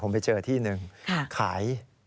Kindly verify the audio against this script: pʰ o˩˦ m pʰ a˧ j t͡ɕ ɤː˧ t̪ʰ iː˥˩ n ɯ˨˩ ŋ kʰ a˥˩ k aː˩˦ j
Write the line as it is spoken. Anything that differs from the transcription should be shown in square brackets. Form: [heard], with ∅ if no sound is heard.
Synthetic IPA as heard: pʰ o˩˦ m [p] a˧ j t͡ɕ ɤː˧ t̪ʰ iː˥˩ n ɯ˨˩ ŋ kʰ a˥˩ [kʰ] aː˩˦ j